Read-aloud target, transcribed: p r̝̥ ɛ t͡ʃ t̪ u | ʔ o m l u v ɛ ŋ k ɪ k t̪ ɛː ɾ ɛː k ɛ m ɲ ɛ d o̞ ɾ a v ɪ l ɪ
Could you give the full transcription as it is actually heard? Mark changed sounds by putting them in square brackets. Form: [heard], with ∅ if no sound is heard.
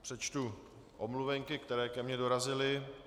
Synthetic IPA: p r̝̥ ɛ t͡ʃ t̪ u | ʔ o m l u v ɛ ŋ k ɪ k t̪ [ɛ] ɾ ɛː k ɛ m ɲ ɛ d o̞ ɾ a [z] ɪ l ɪ